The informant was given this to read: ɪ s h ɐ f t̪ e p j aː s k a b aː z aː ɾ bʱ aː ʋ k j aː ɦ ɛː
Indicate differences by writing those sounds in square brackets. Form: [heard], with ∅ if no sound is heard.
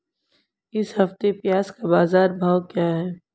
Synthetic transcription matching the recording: ɪ s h ɐ f t̪ e p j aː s k a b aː z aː ɾ bʱ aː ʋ k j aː ɦ ɛː